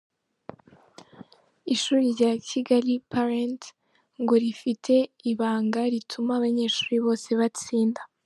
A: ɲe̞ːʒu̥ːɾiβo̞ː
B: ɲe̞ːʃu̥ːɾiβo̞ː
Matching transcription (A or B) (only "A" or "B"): B